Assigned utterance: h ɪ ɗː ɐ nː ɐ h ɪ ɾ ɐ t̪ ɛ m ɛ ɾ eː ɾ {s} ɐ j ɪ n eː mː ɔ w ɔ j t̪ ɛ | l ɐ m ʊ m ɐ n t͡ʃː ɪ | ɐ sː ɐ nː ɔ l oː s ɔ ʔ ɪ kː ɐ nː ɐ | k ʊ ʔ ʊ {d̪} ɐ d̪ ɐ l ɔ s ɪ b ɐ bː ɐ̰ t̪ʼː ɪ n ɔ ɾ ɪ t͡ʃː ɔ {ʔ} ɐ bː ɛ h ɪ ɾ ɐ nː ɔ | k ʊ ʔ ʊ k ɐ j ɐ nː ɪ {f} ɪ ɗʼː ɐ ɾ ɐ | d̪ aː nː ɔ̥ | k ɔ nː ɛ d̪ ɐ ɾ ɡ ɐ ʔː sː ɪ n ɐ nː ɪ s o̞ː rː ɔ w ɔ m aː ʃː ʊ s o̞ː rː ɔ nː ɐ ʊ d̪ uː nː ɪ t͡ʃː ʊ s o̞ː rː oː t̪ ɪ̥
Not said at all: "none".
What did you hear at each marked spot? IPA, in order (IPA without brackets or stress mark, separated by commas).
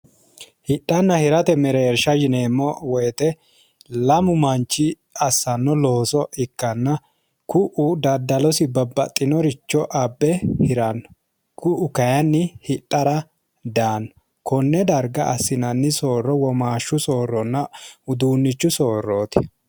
ʃ, d̪, ʔ, h